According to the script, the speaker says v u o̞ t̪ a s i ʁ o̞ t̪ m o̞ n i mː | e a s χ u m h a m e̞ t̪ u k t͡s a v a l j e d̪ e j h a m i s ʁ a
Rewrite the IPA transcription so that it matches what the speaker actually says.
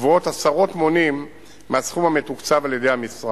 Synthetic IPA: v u o̞ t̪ a s a ʁ o̞ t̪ m o̞ n i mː | e a s χ u m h a m e̞ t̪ u k t͡s a v a l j e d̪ e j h a m i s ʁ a